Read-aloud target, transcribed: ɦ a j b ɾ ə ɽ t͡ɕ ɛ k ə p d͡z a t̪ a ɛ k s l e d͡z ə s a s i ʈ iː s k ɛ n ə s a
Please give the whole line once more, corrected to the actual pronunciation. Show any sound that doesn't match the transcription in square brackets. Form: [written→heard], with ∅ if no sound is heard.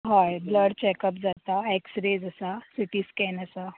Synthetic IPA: ɦ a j b [ɾ→l] ə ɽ t͡ɕ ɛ k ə p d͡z a t̪ a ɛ k s [l→ɾ] e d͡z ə s a s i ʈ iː s k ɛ n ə s a